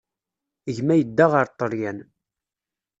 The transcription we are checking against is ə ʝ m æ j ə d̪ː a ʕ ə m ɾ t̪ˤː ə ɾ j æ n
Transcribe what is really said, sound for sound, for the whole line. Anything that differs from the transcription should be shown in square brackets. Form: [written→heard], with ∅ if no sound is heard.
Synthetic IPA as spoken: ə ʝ m æ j ə d̪ː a [ʕ→ʁ] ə [m→∅] ɾ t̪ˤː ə ɾ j æ n